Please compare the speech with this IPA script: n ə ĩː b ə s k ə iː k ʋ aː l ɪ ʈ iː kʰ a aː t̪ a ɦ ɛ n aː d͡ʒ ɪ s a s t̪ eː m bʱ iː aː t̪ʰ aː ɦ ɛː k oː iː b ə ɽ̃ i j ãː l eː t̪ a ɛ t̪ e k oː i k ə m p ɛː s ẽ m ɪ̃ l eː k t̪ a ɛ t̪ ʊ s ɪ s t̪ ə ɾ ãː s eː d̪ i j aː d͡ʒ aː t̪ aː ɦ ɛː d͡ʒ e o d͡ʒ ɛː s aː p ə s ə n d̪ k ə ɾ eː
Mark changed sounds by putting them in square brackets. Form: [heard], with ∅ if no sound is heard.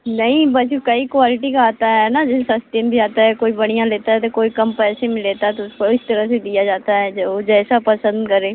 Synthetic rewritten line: n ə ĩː b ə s k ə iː k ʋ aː l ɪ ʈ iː [k] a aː t̪ a ɦ ɛ n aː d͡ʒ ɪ s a s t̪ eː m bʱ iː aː [t̪] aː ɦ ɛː k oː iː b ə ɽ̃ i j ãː l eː t̪ a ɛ t̪ e k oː i k ə m p ɛː s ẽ m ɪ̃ l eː [∅] t̪ a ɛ t̪ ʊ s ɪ s t̪ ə ɾ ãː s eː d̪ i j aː d͡ʒ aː t̪ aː ɦ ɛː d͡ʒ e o d͡ʒ ɛː s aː p ə s ə n d̪ k ə ɾ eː